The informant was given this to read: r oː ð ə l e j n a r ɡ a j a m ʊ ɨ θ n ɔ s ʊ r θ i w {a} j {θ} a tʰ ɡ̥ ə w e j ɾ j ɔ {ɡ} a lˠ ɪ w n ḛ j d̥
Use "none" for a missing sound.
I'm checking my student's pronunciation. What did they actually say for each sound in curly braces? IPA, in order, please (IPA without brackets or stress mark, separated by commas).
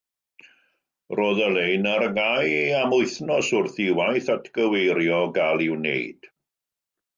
a, θ, ɡ